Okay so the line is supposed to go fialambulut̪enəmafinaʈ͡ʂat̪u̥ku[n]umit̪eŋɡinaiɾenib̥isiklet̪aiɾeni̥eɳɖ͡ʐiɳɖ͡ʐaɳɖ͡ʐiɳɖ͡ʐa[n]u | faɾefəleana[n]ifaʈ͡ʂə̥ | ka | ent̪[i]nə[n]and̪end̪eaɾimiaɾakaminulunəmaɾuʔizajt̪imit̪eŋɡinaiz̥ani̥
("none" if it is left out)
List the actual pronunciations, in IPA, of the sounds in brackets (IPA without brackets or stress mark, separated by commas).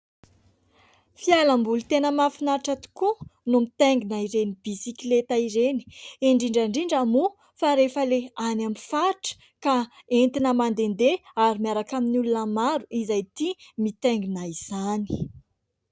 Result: n, m, m, i, m